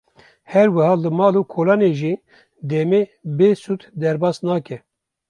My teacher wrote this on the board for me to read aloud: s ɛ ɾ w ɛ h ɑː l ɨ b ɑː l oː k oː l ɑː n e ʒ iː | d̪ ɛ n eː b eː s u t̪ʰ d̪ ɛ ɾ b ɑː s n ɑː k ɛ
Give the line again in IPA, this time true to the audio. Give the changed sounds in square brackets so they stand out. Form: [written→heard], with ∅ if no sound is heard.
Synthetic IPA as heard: [s→h] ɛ ɾ w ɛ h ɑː l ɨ [b→m] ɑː l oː [k→kʰ] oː l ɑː n e ʒ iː | d̪ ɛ [n→m] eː b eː s u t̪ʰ d̪ ɛ ɾ b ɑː s n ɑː k ɛ